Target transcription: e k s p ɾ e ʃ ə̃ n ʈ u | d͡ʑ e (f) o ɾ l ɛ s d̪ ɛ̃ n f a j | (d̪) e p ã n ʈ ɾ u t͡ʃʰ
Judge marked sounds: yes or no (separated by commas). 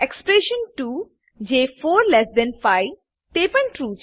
yes, no